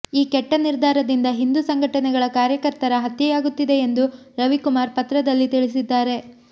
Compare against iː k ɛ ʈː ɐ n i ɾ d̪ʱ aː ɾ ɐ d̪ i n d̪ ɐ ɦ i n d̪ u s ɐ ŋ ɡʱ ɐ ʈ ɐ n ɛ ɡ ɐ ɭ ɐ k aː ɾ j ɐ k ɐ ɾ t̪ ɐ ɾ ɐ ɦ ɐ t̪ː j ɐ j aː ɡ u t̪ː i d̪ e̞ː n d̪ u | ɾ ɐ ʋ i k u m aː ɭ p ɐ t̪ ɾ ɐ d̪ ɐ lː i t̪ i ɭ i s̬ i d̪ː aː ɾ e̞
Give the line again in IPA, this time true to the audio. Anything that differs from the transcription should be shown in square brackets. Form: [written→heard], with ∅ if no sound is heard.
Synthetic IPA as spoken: iː k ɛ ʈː ɐ n i ɾ d̪ʱ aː ɾ ɐ d̪ i n d̪ ɐ ɦ i n d̪ u s ɐ ŋ ɡʱ ɐ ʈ ɐ n ɛ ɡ ɐ ɭ ɐ k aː ɾ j ɐ k ɐ ɾ t̪ ɐ ɾ ɐ ɦ ɐ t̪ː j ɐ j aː ɡ u t̪ː i d̪ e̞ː n d̪ u | ɾ ɐ ʋ i k u m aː [ɭ→ɾ] p ɐ t̪ ɾ ɐ d̪ ɐ lː i t̪ i ɭ i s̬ i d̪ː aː ɾ e̞

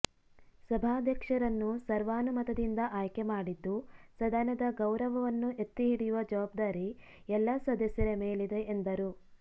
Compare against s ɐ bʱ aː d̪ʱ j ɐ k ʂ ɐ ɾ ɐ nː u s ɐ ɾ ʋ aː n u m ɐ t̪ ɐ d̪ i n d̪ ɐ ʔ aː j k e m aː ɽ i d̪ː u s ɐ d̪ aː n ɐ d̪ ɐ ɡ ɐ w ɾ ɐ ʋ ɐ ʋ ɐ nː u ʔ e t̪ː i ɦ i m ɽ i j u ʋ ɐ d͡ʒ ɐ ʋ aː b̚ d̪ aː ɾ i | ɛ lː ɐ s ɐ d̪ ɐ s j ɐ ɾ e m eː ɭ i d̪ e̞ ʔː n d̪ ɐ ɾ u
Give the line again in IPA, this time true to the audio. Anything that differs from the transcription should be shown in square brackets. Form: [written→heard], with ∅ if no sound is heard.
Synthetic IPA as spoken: s ɐ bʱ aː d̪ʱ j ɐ k ʂ ɐ ɾ ɐ nː u s ɐ ɾ ʋ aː n u m ɐ t̪ ɐ d̪ i n d̪ ɐ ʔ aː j k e m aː ɽ i d̪ː u s ɐ d̪ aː n ɐ d̪ ɐ ɡ ɐ w ɾ ɐ ʋ ɐ ʋ ɐ nː u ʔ e t̪ː i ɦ i [m→∅] ɽ i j u ʋ ɐ d͡ʒ ɐ ʋ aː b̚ d̪ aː ɾ i | ɛ lː ɐ s ɐ d̪ ɐ s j ɐ ɾ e m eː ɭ i d̪ e̞ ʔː n d̪ ɐ ɾ u

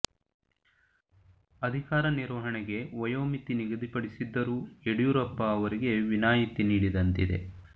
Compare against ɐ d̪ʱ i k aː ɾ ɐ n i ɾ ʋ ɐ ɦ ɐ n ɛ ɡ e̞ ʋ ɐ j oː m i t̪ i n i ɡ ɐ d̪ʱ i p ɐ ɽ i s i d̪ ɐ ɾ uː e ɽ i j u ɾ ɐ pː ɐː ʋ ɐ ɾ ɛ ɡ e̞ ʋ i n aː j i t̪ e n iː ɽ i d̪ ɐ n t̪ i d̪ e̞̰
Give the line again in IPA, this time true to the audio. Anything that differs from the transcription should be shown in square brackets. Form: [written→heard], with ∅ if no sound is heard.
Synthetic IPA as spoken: ɐ d̪ʱ i k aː ɾ ɐ n i ɾ ʋ ɐ ɦ ɐ [n→ɳ] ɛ ɡ e̞ ʋ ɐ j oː m i t̪ i n i ɡ ɐ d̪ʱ i p ɐ ɽ i s i [d̪→d̪ː] ɐ ɾ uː e ɽ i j u ɾ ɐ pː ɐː ʋ ɐ ɾ [ɛ→i] ɡ e̞ ʋ i n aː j i t̪ [e→i] n iː ɽ i d̪ ɐ n t̪ i d̪ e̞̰

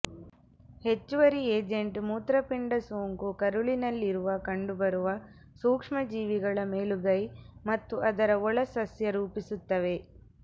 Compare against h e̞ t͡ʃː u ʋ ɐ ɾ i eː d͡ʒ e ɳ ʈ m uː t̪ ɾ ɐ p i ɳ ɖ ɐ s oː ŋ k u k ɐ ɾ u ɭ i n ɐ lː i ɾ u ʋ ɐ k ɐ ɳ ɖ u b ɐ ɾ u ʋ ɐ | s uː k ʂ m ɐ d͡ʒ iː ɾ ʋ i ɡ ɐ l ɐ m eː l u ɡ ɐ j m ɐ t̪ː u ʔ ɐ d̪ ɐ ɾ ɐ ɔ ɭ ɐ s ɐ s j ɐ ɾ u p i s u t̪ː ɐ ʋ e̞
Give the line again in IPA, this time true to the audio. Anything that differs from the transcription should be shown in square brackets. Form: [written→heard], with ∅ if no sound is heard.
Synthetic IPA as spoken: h e̞ t͡ʃː u ʋ ɐ ɾ i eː d͡ʒ e ɳ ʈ m uː t̪ ɾ ɐ p i ɳ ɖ ɐ s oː ŋ k u k ɐ ɾ u ɭ i n ɐ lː i ɾ u ʋ ɐ k ɐ ɳ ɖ u b ɐ ɾ u ʋ ɐ | s uː k ʂ m ɐ d͡ʒ iː [ɾ→∅] ʋ i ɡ ɐ [l→ɭ] ɐ m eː l u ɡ ɐ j m ɐ t̪ː u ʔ ɐ d̪ ɐ ɾ ɐ ɔ ɭ ɐ s ɐ s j ɐ ɾ [u→uː] p i s u t̪ː ɐ ʋ e̞

